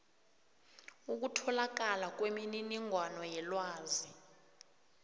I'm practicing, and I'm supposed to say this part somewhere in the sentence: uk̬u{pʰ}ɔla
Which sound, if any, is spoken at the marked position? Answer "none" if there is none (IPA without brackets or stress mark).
tʰ